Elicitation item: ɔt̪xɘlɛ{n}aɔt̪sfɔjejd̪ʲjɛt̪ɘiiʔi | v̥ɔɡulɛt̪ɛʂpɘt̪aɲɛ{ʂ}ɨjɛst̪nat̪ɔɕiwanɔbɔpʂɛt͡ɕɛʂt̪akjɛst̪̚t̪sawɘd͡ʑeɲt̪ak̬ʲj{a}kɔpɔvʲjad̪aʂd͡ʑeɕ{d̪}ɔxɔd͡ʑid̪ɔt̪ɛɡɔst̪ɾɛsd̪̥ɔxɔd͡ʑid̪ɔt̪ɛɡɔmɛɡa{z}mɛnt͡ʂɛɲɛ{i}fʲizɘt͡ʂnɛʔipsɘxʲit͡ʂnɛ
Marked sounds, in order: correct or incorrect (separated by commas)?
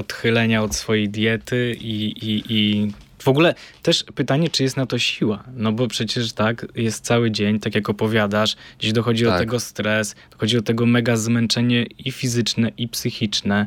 incorrect, incorrect, correct, correct, correct, correct